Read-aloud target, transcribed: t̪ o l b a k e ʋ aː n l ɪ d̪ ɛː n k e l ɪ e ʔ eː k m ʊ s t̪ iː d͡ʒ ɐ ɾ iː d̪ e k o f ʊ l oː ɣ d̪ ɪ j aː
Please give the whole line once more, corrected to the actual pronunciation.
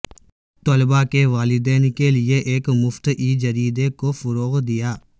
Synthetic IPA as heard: t̪ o l b a k e ʋ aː l ɪ d̪ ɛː n k e l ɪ e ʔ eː k m ʊ f t̪ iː d͡ʒ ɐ ɾ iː d̪ e k o f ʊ ɾ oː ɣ d̪ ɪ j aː